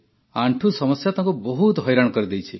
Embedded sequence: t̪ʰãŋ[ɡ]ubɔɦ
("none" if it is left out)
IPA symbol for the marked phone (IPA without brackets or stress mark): k